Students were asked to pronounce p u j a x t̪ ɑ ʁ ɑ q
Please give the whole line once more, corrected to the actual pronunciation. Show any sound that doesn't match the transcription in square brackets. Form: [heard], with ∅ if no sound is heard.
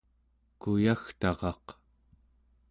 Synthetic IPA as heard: [k] u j a x t̪ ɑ ʁ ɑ q